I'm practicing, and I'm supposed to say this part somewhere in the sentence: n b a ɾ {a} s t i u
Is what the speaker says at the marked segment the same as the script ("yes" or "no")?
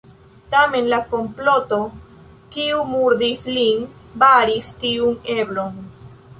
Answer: no